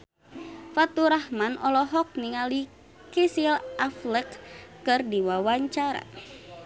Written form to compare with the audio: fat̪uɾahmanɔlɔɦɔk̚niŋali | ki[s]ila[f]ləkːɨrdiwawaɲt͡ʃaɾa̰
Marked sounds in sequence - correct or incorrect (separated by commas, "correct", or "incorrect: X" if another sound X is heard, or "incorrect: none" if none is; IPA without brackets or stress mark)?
correct, correct